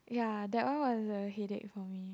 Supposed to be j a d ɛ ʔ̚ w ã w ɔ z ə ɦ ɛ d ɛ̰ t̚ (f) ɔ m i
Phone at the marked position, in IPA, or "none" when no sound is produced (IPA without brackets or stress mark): f